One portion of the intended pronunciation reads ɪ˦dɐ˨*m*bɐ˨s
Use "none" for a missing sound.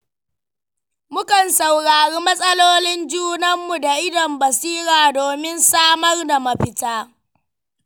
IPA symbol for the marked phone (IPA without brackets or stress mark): m